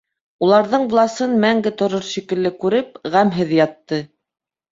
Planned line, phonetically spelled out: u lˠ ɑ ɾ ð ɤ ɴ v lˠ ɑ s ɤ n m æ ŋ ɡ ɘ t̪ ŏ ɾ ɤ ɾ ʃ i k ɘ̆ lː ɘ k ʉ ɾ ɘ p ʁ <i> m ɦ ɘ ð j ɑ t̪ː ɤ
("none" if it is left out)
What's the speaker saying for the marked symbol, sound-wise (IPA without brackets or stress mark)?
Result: æ